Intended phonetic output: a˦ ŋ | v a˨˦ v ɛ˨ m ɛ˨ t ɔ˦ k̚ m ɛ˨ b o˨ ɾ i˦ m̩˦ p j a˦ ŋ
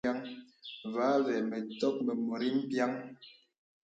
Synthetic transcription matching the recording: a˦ ŋ | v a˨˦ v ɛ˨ m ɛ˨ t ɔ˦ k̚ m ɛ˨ m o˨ ɾ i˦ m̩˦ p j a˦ ŋ

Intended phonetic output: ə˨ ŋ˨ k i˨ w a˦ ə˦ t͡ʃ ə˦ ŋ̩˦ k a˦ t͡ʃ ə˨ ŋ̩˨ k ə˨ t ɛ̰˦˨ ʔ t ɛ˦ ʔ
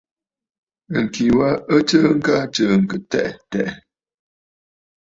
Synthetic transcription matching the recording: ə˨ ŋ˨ k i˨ w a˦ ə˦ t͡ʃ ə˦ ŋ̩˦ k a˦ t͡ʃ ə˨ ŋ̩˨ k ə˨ t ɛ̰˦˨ ʔ t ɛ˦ ʔ

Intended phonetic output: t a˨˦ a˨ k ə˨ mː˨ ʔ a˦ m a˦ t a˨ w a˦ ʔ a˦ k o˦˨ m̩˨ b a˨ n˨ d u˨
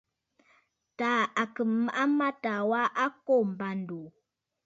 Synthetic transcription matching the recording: t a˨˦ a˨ k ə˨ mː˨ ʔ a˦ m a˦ t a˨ w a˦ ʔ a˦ k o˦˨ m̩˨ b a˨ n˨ d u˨

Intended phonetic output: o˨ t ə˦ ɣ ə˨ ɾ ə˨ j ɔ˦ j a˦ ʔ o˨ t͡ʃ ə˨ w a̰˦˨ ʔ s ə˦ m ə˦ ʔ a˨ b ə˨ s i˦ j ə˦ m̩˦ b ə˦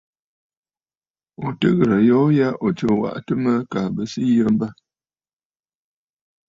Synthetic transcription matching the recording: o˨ t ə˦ ɣ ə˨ ɾ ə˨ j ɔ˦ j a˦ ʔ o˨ t͡ʃ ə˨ w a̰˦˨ ʔ t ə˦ m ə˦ k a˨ b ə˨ s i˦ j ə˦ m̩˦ b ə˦

